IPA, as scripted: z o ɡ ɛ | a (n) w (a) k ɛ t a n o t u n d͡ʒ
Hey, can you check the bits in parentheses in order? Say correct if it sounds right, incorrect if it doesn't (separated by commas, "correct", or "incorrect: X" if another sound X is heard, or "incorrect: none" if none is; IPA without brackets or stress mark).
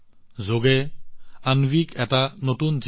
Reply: correct, incorrect: i